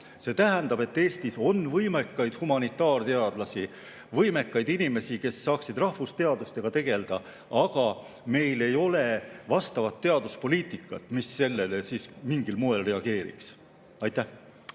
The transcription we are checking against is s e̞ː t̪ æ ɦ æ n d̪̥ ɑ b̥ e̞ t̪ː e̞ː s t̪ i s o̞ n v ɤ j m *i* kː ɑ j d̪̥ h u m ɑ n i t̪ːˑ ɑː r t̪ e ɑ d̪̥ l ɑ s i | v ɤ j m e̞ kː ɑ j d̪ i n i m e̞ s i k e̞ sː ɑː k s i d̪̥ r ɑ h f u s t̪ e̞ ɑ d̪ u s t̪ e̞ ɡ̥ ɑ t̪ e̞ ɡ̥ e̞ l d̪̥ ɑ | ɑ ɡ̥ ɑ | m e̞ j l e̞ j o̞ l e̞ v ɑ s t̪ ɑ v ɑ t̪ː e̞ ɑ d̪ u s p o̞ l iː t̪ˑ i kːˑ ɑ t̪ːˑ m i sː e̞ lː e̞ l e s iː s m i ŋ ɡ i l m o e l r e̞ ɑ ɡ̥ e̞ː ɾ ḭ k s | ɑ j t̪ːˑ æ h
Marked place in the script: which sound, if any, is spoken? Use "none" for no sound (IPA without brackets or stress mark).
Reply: e